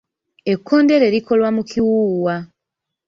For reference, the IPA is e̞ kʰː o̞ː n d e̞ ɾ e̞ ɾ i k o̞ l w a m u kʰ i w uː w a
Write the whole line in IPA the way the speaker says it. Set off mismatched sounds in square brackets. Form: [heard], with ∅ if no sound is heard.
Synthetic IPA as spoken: e̞ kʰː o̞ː n d e̞ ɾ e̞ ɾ i k o̞ l w a m u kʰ i w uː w a